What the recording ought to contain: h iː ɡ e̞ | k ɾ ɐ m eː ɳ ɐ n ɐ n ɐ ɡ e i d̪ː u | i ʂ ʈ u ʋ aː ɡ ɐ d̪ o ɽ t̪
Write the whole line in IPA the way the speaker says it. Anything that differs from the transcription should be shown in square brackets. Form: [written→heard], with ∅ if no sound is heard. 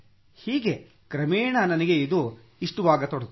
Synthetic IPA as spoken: h iː ɡ e̞ | k ɾ ɐ m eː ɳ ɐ n ɐ n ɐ ɡ e i [d̪ː→d̪] u | i ʂ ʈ u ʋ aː ɡ ɐ [d̪→t̪] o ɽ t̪

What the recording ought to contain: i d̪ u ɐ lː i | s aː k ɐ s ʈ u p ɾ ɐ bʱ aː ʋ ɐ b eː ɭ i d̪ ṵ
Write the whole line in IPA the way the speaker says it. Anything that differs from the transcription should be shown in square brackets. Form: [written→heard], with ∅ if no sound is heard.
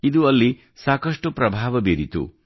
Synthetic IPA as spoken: i d̪ u ɐ lː i | s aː k ɐ [s→ʂ] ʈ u p ɾ ɐ bʱ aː ʋ ɐ b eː [ɭ→ɾ] i [d̪→t̪] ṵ

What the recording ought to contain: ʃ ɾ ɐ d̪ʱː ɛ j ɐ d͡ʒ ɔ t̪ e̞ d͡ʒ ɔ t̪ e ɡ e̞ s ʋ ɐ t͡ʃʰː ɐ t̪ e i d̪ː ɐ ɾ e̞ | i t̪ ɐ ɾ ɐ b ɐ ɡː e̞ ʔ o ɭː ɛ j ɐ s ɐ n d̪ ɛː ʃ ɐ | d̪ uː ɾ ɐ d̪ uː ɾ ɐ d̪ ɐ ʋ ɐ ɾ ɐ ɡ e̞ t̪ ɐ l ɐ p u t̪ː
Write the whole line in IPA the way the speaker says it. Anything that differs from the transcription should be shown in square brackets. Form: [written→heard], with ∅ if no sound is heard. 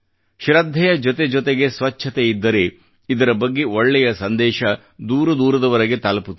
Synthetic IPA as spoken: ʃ ɾ ɐ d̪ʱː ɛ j ɐ d͡ʒ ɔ t̪ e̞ d͡ʒ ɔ t̪ e ɡ e̞ s ʋ ɐ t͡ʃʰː ɐ t̪ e i d̪ː ɐ ɾ e̞ | i [t̪→d̪] ɐ ɾ ɐ b ɐ ɡː e̞ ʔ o ɭː ɛ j ɐ s ɐ n d̪ ɛː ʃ ɐ | d̪ uː ɾ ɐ d̪ uː ɾ ɐ d̪ ɐ ʋ ɐ ɾ ɐ ɡ e̞ t̪ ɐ l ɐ p u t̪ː

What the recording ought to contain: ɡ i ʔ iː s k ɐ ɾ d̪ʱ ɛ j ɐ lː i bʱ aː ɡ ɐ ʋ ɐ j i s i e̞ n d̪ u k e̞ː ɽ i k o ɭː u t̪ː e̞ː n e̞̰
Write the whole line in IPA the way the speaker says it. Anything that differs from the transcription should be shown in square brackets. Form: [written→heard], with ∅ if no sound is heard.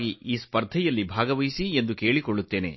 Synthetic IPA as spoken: ɡ i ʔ iː s [k→p] ɐ ɾ d̪ʱ ɛ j ɐ lː i bʱ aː ɡ ɐ ʋ ɐ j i s i e̞ n d̪ u k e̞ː [ɽ→ɭ] i k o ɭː u t̪ː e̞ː n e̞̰

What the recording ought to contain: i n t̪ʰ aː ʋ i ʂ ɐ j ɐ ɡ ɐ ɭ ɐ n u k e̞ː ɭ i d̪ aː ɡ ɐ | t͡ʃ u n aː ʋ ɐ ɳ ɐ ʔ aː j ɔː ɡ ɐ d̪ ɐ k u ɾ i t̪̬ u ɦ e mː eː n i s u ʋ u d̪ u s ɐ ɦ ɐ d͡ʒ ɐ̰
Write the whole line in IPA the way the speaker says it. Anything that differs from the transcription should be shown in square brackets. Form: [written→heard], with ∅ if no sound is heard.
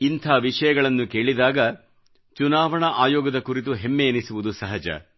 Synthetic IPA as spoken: i n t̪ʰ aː ʋ i ʂ ɐ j ɐ ɡ ɐ ɭ ɐ [n→nː] u k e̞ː ɭ i d̪ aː ɡ ɐ | t͡ʃ u n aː ʋ ɐ ɳ ɐ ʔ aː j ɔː ɡ ɐ d̪ ɐ k u ɾ i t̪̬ u ɦ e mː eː n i s u ʋ u d̪ u s ɐ ɦ ɐ d͡ʒ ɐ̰

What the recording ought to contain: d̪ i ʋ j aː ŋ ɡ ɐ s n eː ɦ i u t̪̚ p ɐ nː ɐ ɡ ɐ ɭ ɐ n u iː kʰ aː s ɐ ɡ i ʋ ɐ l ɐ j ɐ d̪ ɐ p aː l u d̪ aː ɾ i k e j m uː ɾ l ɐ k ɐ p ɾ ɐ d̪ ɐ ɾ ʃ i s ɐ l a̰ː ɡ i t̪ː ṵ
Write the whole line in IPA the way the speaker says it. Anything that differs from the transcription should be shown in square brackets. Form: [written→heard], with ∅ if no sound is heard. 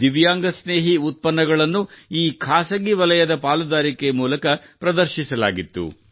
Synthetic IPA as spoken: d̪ i ʋ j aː ŋ ɡ ɐ s n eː ɦ i u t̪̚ p ɐ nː ɐ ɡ ɐ ɭ ɐ [n→nː] u iː kʰ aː s ɐ ɡ i ʋ ɐ l ɐ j ɐ d̪ ɐ p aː l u d̪ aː ɾ i k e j m uː [ɾ→∅] l ɐ k ɐ p ɾ ɐ d̪ ɐ ɾ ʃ i s ɐ l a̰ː ɡ i t̪ː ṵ

